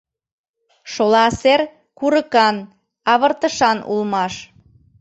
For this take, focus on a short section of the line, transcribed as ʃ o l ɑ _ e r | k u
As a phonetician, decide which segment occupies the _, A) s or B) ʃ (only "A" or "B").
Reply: A